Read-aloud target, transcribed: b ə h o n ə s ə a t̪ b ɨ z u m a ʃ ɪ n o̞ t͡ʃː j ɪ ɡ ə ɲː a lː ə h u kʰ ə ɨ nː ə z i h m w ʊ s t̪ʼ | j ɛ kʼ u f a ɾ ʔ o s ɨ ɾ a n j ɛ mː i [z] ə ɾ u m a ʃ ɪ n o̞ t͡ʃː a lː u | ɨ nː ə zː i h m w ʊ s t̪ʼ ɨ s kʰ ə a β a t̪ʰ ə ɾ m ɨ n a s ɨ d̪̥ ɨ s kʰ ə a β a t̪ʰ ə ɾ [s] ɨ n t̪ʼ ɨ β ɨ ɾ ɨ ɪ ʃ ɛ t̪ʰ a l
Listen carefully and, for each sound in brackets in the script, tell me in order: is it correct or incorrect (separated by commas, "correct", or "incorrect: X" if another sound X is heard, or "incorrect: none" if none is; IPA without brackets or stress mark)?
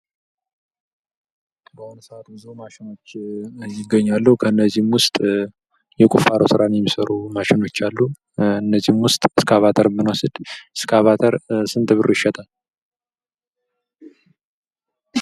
incorrect: s, correct